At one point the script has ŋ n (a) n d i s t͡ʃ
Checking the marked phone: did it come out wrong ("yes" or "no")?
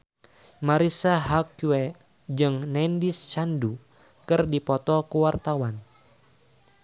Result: yes